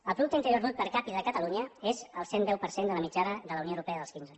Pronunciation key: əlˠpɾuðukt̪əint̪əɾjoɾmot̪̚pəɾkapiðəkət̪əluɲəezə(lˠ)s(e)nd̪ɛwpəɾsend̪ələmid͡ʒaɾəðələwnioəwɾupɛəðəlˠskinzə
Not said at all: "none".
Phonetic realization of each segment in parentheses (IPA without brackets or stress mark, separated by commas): lˠ, e